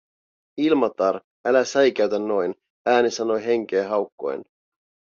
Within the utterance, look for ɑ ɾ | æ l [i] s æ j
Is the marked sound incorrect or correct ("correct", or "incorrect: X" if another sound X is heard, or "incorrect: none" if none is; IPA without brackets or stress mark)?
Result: incorrect: æ